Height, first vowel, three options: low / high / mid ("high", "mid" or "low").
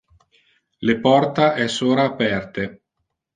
mid